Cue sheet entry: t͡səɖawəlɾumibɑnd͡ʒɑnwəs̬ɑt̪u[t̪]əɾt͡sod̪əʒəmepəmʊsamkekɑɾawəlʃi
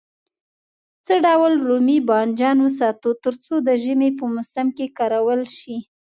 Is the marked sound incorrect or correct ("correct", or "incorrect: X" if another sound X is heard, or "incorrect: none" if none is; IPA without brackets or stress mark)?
correct